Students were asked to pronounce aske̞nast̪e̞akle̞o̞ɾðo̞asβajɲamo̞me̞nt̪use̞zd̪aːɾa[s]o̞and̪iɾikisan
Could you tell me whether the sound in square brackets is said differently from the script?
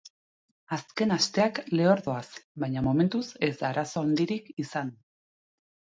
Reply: no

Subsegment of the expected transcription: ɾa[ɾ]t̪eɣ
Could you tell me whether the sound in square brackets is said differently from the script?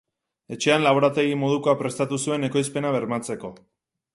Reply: yes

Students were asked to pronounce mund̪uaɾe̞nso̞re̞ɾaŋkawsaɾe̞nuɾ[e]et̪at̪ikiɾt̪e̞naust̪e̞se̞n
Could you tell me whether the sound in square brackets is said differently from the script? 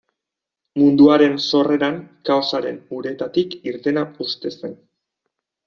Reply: no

